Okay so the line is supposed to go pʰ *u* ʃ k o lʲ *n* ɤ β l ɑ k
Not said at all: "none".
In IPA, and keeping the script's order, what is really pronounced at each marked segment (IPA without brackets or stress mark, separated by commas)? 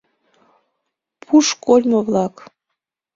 u, m